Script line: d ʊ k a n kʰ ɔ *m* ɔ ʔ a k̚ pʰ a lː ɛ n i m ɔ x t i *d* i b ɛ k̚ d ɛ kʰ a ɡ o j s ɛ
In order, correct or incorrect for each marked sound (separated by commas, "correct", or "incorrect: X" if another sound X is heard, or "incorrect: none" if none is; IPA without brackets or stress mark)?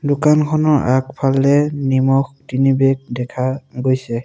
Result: incorrect: n, incorrect: n